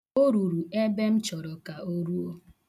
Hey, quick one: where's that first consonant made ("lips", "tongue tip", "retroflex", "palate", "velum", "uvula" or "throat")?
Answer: tongue tip